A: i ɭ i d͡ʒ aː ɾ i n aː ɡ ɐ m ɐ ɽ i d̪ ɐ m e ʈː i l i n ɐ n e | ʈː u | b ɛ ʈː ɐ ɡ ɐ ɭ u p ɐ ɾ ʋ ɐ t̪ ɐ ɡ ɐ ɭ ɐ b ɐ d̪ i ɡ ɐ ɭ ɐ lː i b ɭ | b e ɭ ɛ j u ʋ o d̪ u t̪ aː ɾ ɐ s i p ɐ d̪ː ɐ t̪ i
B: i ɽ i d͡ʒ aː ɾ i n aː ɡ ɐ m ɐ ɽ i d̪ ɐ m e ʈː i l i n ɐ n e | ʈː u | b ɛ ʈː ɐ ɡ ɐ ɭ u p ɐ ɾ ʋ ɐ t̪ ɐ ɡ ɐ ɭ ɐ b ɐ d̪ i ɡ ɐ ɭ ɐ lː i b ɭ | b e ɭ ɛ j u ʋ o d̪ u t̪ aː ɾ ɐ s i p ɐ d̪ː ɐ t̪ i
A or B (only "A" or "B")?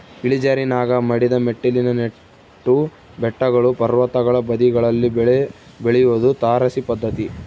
A